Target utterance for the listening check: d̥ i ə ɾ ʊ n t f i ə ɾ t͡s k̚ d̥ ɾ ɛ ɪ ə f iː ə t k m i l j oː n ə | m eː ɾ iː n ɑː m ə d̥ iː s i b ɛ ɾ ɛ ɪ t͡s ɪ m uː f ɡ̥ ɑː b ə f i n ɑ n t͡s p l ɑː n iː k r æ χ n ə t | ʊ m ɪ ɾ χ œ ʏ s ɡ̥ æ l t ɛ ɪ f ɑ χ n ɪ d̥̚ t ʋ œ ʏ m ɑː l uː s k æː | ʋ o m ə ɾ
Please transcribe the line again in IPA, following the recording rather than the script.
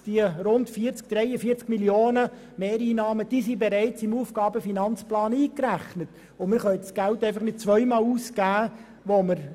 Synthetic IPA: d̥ i ə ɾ ʊ n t f i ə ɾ t͡s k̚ d̥ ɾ ɛ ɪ ə f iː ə t͡s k m i l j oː n ə | m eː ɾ iː n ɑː m ə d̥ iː s i b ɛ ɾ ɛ ɪ t͡s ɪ m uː f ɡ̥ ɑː b ə f i n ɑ n t͡s p l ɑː n iː k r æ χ n ə t | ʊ m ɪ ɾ χ œ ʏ s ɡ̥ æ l t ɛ ɪ f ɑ χ n ɪ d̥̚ t͡s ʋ œ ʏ m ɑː l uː s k æː | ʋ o m ə ɾ